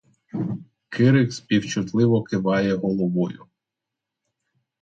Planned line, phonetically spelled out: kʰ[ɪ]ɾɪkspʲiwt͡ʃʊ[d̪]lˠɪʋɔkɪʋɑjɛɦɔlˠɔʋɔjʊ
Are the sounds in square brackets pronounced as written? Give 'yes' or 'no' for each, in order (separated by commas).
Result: yes, no